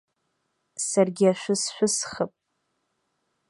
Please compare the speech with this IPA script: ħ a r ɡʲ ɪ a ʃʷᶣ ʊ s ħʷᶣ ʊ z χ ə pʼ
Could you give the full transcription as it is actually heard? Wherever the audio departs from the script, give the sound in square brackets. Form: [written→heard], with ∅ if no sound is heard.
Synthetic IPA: [ħ→s] a r ɡʲ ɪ a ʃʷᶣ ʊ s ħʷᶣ ʊ [z→s] χ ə pʼ